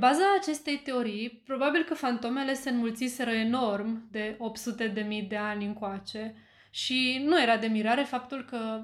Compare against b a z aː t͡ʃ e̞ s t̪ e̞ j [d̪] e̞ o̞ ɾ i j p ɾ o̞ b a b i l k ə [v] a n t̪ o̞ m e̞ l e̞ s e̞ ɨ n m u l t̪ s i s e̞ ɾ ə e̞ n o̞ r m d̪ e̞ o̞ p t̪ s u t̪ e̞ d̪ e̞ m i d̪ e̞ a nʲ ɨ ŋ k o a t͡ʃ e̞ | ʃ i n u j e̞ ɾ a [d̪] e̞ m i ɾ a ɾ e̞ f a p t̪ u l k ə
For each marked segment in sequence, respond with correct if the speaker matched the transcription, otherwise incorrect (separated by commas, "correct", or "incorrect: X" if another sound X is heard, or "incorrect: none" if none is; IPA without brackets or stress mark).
incorrect: t̪, incorrect: f, correct